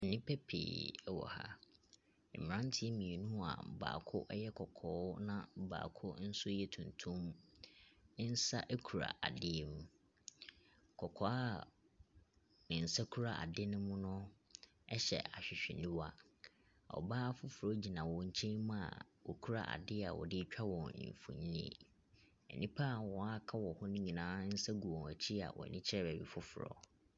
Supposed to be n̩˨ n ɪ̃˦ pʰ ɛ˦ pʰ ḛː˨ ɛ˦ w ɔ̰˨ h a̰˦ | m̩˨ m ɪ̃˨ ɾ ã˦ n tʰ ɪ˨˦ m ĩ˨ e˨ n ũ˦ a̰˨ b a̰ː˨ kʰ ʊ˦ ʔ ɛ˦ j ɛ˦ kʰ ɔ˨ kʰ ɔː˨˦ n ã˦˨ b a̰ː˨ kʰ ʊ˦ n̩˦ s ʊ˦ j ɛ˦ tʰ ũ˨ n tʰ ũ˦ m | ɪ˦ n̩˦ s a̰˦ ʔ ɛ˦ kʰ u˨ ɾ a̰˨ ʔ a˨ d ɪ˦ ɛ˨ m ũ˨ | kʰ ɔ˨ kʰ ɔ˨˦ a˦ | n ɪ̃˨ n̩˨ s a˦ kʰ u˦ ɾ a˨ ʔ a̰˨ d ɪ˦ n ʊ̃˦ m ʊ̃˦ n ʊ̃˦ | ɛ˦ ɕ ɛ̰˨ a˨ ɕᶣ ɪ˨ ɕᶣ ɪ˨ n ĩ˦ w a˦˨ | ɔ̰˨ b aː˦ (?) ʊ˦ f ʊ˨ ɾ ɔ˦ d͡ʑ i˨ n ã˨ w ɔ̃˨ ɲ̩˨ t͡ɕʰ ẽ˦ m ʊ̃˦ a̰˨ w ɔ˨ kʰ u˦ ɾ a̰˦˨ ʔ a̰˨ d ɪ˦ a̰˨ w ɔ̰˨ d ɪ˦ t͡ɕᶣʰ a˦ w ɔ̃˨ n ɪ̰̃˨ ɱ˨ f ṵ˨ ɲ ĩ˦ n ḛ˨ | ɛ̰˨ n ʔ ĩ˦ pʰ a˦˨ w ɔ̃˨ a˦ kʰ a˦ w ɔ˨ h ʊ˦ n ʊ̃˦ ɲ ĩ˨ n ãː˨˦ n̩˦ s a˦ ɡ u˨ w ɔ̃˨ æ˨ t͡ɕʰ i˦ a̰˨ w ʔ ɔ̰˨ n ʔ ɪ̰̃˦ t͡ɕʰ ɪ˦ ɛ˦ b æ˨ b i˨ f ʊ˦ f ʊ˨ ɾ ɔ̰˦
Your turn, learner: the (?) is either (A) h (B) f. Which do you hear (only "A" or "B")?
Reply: B